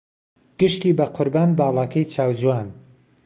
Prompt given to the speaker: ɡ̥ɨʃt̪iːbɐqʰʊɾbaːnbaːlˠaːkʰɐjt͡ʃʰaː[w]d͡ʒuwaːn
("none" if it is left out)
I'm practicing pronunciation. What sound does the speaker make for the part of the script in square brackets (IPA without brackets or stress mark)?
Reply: w